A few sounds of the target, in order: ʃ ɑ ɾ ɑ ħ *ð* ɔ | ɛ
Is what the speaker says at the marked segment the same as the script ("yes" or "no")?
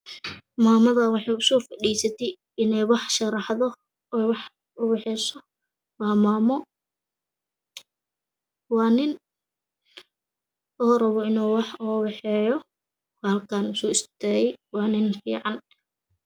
yes